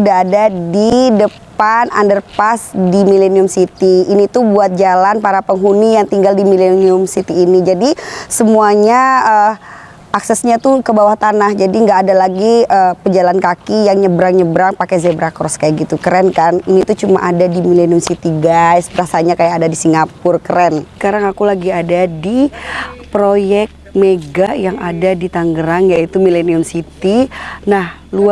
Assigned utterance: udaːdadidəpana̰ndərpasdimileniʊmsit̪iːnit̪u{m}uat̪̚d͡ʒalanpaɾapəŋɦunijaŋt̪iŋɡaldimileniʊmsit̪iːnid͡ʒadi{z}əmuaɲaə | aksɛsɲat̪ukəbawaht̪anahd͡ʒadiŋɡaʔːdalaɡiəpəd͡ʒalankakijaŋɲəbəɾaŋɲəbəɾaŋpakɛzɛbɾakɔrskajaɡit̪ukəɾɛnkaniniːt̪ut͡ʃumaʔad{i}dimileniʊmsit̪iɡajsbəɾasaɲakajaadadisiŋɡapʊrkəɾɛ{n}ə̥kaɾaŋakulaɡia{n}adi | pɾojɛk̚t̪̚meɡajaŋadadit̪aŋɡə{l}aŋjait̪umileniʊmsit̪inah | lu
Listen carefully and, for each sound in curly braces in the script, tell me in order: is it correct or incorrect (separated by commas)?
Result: incorrect, incorrect, incorrect, correct, incorrect, incorrect